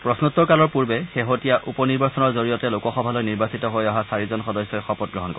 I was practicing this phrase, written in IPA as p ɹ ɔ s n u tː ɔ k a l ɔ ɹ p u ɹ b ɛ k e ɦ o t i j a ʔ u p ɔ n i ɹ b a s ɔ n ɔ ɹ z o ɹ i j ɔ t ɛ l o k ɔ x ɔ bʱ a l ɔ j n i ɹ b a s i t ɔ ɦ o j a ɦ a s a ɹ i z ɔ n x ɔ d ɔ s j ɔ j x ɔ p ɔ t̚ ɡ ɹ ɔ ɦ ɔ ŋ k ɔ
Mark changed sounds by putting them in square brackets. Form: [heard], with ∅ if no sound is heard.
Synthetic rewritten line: p ɹ ɔ s n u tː ɔ k a l ɔ ɹ p u ɹ b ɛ [x] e ɦ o t i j a ʔ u p ɔ n i ɹ b a s ɔ n ɔ ɹ z o ɹ i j ɔ t ɛ l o k ɔ x ɔ bʱ a l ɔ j n i ɹ b a s i t ɔ ɦ o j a ɦ a s a ɹ i z ɔ n x ɔ d ɔ s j ɔ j x ɔ p ɔ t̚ ɡ ɹ ɔ ɦ ɔ [n] k ɔ